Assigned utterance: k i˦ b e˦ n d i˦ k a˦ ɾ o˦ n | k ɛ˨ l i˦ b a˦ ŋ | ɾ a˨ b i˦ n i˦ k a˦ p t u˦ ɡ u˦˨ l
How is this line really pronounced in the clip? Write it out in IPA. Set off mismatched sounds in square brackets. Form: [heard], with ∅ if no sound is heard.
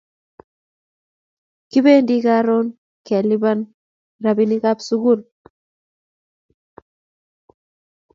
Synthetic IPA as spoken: k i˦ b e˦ n d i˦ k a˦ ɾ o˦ n | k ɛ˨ l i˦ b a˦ [n] | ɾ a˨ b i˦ n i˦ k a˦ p [s] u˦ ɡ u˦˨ l